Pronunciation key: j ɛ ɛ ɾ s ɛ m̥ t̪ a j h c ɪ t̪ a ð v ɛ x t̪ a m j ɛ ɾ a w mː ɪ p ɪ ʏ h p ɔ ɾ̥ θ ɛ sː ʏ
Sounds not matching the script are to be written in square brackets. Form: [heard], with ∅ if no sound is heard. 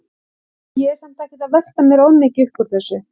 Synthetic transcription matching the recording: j ɛ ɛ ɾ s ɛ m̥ t̪ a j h c ɪ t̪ a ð v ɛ x t̪ a m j ɛ ɾ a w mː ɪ [c] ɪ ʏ h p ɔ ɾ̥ θ ɛ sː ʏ